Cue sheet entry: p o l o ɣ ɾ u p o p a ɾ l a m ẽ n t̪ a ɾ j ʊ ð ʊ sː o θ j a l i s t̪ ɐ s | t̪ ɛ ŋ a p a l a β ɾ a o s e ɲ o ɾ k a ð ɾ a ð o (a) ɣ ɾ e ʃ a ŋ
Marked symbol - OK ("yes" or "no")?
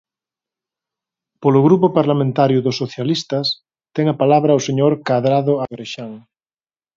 yes